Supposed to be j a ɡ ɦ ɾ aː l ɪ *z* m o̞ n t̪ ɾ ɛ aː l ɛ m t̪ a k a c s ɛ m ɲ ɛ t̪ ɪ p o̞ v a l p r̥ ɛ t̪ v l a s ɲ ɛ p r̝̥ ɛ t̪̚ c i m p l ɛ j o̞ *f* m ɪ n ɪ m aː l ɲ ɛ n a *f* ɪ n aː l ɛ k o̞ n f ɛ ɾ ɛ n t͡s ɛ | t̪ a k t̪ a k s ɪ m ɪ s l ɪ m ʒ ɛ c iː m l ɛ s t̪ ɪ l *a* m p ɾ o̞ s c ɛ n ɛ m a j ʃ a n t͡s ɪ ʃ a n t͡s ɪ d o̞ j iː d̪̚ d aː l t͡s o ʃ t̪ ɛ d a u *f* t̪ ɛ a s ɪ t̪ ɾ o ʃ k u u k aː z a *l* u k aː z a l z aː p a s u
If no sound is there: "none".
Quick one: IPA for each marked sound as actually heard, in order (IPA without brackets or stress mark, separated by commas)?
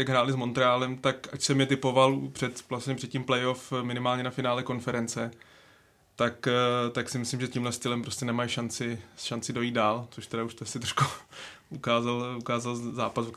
z, f, f, ɛ, ʃ, l